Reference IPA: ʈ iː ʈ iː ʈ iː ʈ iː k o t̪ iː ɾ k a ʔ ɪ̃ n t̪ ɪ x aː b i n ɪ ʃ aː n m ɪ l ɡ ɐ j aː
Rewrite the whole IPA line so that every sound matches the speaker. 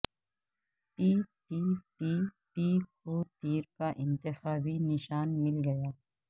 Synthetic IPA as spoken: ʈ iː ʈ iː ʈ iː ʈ iː k o t̪ iː ɾ k a ʔ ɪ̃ n t̪ ɪ x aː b i n ɪ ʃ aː n m ɪ l ɡ ɐ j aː